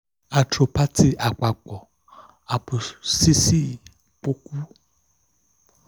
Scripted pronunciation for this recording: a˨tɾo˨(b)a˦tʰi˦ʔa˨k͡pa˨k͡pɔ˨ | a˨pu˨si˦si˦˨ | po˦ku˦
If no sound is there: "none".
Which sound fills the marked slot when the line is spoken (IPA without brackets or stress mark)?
p